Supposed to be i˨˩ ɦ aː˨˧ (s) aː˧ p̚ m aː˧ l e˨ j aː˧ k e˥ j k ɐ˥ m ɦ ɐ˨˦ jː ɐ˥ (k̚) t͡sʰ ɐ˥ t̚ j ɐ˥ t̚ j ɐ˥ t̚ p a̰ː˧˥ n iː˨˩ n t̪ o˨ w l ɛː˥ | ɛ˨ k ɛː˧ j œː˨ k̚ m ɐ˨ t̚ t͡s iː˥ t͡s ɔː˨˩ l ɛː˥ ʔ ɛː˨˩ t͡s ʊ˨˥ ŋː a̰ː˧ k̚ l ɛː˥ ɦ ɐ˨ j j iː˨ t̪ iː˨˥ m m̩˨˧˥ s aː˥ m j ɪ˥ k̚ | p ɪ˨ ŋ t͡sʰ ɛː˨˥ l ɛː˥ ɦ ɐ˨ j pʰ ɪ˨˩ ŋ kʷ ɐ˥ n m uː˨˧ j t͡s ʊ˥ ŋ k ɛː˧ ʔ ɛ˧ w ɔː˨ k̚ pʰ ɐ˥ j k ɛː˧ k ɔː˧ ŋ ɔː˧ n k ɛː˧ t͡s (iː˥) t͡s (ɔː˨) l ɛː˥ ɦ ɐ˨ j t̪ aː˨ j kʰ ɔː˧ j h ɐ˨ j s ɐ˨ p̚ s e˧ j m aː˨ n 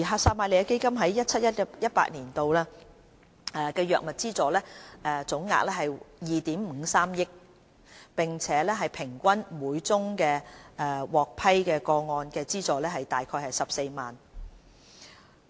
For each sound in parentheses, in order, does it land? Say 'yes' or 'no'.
yes, no, yes, yes

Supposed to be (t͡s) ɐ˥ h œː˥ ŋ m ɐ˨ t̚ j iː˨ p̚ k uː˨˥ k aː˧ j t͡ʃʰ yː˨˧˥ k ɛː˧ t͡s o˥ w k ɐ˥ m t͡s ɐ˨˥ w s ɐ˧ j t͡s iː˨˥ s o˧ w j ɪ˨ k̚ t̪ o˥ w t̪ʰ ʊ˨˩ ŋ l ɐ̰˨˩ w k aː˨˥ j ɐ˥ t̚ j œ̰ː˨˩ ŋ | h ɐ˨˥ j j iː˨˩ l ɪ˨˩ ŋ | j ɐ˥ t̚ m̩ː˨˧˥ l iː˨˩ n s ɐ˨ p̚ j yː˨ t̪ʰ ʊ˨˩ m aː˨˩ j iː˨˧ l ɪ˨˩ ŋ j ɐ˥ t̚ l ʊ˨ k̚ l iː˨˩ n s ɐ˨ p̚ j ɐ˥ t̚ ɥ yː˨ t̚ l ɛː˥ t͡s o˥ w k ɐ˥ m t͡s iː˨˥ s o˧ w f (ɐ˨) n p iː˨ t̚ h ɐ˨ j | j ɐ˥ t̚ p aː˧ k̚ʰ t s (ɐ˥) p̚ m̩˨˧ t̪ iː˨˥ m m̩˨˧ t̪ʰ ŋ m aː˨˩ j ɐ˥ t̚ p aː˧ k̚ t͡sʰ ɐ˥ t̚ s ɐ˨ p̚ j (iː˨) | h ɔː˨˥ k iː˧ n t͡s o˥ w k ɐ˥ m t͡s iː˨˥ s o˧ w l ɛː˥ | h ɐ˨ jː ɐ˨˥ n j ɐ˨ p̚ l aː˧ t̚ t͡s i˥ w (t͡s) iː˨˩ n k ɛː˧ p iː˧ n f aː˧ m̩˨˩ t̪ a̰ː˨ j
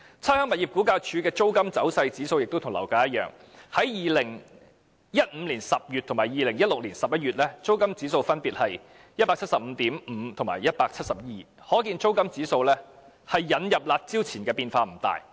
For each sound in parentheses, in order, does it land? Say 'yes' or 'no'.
no, no, no, yes, no

